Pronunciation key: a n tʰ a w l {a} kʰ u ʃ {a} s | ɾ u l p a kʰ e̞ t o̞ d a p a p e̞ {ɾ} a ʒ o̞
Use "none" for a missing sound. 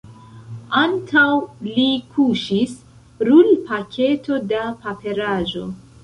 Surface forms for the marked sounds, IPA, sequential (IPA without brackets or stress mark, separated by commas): i, i, ɾ